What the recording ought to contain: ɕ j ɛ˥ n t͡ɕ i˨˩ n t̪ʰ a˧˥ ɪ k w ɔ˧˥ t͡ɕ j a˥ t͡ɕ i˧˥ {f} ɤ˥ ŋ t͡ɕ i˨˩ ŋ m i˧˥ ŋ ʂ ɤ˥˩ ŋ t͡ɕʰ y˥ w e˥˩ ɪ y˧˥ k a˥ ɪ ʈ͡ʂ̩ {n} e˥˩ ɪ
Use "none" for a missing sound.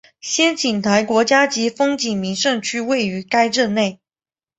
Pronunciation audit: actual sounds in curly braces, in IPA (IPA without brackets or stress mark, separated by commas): f, n